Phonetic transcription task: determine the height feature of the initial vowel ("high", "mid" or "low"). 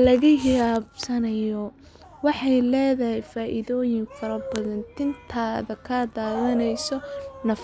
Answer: low